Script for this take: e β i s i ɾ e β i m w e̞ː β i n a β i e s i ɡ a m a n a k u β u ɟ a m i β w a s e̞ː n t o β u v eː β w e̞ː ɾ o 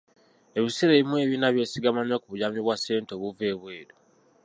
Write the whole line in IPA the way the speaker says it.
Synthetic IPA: e β i s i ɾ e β i m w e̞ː β i n a β j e s i ɡ a m a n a k u β u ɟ a m i β w a s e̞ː n t o β u v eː β w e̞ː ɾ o